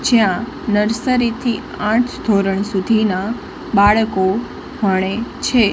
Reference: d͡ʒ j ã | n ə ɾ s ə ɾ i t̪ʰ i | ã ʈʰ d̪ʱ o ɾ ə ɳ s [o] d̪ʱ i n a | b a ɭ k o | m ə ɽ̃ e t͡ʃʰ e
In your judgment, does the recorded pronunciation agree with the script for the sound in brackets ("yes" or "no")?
no